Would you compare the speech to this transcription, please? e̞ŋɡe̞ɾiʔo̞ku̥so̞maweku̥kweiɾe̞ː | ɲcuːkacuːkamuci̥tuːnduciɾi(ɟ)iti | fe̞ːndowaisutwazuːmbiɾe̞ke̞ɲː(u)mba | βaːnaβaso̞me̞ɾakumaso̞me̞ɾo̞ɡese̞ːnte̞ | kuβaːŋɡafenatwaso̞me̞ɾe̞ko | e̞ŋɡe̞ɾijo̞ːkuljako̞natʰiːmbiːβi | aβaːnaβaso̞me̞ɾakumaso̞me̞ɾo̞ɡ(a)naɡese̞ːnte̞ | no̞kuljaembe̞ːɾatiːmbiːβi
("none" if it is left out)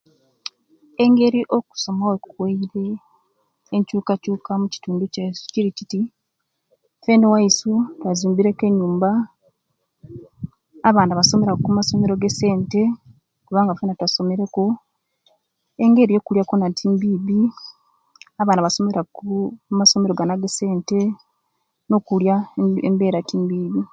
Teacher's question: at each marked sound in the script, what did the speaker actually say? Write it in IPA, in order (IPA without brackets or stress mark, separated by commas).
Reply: c, uː, a